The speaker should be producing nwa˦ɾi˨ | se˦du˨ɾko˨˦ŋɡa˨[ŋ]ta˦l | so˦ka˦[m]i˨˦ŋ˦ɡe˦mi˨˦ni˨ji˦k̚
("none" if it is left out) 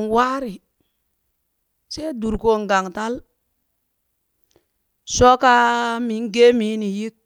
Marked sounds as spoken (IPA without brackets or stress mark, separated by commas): ŋ, m